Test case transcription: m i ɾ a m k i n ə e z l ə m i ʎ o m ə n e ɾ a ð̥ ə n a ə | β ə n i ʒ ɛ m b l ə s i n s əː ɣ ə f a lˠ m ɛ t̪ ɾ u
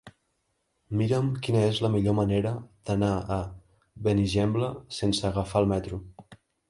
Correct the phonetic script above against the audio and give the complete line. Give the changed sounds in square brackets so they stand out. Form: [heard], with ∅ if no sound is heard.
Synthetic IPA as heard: m i ɾ [ə] m k i n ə e z l ə m i ʎ o m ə n e ɾ [ə] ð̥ ə n a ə | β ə n i ʒ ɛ m b l ə s [e] n s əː ɣ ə f a lˠ m ɛ t̪ ɾ u